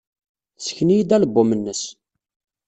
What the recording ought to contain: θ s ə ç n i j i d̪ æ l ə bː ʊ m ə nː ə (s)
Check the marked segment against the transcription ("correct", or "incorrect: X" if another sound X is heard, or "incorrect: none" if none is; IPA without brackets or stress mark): correct